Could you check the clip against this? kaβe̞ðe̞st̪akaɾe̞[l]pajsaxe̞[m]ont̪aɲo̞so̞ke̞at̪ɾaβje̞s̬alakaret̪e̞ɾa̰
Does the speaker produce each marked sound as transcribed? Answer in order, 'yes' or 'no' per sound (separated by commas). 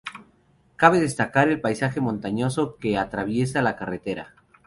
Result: yes, yes